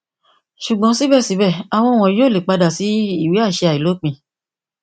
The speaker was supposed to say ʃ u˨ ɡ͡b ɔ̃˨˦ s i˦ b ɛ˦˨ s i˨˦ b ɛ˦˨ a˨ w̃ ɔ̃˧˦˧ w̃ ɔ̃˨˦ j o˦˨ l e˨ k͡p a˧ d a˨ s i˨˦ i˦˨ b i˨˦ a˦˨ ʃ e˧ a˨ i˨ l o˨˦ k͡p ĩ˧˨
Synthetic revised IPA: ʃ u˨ ɡ͡b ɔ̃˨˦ s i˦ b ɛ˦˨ s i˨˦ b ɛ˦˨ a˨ w̃ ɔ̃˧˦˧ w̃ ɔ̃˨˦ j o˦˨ l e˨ k͡p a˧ d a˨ s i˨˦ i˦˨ w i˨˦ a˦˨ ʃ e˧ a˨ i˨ l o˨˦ k͡p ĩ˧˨